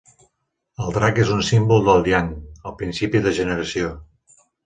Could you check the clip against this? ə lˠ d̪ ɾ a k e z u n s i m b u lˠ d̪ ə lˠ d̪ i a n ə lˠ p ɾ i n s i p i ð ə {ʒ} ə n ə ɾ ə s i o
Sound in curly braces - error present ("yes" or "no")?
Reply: no